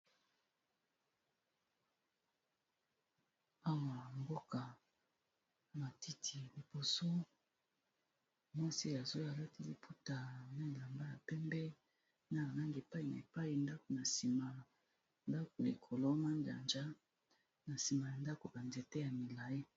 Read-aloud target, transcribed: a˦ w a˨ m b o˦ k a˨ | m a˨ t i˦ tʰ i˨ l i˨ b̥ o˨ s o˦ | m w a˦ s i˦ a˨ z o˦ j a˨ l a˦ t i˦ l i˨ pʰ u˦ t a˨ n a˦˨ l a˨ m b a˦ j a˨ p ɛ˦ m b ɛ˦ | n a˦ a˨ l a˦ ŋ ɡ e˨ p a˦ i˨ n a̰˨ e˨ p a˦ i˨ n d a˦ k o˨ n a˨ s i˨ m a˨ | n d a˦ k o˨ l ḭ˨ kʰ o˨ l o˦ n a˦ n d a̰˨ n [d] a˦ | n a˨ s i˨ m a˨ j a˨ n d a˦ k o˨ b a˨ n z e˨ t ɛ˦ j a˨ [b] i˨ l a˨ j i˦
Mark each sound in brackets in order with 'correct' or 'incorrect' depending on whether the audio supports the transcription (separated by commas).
incorrect, incorrect